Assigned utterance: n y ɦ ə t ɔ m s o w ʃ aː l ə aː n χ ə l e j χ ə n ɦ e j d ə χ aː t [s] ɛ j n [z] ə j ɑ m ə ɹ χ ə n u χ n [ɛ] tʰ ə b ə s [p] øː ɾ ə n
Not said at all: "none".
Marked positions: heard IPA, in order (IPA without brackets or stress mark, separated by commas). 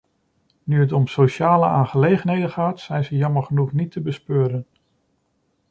s, z, i, p